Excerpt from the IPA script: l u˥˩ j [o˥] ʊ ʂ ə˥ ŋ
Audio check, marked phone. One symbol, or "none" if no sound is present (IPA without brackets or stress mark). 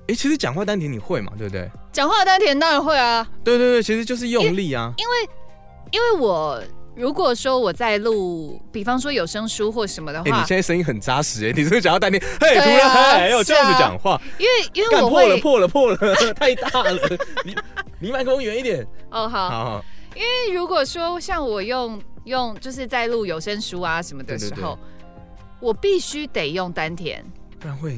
o˨